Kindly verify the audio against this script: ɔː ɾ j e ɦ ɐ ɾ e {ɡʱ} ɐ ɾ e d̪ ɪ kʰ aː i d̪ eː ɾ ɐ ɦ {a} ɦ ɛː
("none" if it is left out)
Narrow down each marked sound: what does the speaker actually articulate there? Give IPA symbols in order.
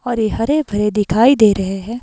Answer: bʱ, e

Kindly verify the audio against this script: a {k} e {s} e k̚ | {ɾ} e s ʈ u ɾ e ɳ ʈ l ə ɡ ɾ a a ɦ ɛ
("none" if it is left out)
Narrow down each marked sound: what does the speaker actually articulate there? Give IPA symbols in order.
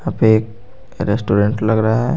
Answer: p, none, ɾ

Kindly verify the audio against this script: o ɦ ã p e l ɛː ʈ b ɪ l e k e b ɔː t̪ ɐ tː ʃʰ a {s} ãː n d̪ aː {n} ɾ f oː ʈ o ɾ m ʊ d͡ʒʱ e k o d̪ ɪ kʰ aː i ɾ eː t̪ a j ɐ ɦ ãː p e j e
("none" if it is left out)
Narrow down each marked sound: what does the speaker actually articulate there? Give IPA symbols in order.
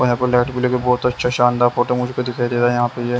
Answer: ʃ, none

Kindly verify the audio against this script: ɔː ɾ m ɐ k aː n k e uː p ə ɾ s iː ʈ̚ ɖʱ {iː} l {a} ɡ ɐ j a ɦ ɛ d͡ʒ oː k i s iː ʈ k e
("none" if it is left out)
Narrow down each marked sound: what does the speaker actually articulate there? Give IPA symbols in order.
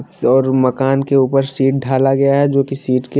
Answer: aː, a

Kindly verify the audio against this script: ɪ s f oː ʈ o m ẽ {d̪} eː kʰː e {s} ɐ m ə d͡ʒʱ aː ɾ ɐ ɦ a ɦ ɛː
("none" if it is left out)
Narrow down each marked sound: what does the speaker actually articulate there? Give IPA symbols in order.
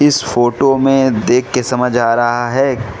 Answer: d̪, s

